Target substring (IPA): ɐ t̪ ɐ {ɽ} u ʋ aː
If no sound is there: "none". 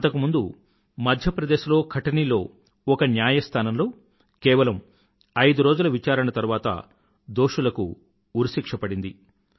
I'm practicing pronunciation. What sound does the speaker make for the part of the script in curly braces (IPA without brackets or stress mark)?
ɾ